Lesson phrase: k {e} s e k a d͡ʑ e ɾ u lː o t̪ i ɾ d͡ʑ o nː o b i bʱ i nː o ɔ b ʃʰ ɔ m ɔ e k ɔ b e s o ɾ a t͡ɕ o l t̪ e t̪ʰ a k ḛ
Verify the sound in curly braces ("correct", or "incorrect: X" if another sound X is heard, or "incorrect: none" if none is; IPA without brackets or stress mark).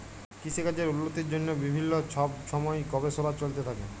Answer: incorrect: i